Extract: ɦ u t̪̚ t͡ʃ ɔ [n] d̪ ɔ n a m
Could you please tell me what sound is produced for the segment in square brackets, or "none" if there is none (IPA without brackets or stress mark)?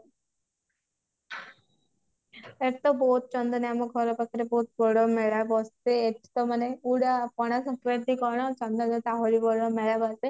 n